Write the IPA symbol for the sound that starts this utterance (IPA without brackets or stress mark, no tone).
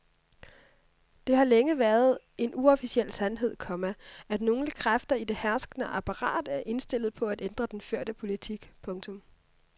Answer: d̥